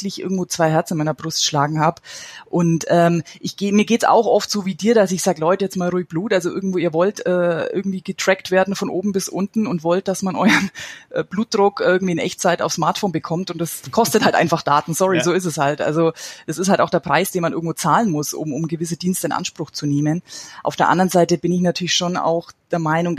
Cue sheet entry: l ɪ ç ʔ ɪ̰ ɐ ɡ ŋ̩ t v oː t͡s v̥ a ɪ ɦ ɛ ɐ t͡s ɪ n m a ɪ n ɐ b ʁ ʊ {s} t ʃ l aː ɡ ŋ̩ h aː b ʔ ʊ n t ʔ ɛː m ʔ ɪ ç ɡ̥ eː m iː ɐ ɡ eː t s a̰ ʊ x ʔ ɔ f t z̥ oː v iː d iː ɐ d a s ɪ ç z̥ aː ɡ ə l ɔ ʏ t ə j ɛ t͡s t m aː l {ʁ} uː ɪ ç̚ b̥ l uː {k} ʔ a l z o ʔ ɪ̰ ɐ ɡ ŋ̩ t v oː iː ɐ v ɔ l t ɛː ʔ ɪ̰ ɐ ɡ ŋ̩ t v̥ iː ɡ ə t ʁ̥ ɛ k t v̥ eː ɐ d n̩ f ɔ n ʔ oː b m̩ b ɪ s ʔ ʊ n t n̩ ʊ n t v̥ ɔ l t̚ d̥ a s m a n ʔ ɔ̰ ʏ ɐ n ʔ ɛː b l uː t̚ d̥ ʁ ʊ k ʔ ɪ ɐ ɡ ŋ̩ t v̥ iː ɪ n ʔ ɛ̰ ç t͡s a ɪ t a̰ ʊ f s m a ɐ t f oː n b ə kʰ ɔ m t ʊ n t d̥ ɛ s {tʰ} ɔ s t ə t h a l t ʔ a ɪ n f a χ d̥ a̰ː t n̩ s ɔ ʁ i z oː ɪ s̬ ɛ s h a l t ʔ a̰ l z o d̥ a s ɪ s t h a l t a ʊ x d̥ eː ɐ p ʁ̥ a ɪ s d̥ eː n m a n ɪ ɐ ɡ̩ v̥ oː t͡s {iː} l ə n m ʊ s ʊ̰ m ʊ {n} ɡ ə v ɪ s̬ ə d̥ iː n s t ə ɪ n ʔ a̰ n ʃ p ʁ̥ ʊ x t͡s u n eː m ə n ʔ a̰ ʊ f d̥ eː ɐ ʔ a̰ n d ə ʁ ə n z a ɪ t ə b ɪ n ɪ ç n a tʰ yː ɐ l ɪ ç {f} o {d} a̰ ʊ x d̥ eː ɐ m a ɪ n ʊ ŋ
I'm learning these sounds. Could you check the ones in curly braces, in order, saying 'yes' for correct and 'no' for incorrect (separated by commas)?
yes, yes, no, no, no, no, no, no